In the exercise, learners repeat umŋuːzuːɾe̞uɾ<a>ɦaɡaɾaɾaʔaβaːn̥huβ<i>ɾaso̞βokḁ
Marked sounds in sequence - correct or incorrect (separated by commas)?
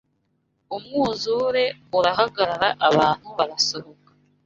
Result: correct, incorrect